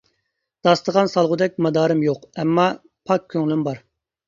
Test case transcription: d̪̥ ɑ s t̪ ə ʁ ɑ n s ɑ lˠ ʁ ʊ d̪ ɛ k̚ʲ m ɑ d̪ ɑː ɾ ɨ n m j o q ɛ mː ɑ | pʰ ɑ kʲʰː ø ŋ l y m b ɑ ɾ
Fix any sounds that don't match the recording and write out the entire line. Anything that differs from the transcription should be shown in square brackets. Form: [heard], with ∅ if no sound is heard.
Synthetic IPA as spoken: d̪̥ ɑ s t̪ ə ʁ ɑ n s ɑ lˠ ʁ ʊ d̪ ɛ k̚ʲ m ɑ d̪ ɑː ɾ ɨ [∅] m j o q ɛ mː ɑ | pʰ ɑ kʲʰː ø ŋ l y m b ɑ ɾ